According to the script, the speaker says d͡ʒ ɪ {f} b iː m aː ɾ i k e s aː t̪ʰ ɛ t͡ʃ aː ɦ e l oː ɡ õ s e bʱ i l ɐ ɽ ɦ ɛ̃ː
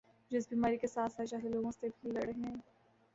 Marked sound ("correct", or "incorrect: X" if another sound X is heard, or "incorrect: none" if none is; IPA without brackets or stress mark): incorrect: s